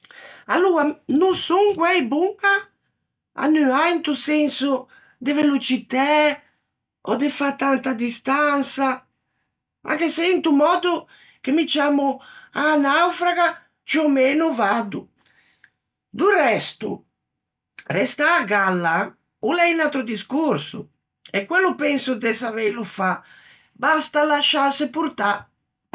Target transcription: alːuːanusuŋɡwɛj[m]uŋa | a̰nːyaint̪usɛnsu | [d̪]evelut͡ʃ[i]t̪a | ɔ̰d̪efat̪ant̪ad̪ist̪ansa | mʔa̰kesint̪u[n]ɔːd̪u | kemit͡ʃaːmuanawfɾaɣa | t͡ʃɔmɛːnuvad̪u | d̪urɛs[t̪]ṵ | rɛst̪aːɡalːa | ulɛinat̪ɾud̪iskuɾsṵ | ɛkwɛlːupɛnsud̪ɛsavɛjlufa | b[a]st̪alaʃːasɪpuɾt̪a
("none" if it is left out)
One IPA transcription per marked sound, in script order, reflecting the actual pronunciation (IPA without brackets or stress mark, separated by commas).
b, d̪, i, m, t̪, a